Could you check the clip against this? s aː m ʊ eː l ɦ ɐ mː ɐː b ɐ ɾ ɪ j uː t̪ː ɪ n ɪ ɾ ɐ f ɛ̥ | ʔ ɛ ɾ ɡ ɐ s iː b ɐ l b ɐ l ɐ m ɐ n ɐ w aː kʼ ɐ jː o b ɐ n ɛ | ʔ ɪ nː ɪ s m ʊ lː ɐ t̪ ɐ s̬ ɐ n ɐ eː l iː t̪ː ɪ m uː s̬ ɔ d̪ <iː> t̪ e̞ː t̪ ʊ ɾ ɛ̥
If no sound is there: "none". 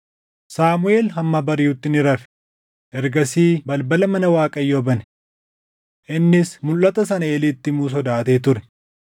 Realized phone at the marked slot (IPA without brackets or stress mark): aː